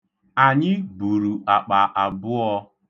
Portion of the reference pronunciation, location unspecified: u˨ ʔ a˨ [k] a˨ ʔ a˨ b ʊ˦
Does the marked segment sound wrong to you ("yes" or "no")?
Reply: yes